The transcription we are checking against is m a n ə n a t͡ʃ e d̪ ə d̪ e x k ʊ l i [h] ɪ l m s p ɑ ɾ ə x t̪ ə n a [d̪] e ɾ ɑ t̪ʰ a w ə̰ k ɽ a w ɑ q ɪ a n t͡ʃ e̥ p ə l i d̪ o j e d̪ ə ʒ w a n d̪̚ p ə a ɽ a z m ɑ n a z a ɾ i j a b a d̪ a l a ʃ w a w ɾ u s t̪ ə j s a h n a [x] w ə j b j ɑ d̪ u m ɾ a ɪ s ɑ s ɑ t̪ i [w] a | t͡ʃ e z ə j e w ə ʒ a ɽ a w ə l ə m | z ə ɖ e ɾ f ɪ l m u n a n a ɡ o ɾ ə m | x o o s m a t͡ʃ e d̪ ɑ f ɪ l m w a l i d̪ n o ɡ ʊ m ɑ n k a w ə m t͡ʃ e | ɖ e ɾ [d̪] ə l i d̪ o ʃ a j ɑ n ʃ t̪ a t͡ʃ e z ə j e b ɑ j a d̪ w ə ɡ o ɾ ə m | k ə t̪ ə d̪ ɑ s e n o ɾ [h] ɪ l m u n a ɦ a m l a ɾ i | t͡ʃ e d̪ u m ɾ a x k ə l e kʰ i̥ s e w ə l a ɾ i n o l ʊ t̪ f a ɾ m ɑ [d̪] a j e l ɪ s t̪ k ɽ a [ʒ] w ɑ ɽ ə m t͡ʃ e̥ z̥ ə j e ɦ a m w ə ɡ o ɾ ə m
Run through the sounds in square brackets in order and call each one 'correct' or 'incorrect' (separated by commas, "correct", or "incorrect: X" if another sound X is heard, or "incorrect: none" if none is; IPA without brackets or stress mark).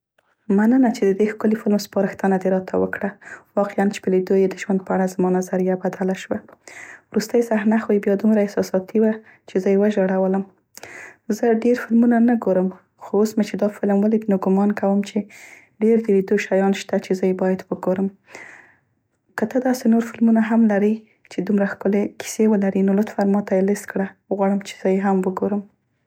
incorrect: f, correct, correct, correct, correct, incorrect: f, incorrect: t̪, incorrect: ɣ